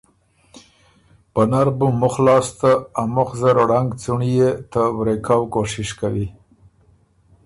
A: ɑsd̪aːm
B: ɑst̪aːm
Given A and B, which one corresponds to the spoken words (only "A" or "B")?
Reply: B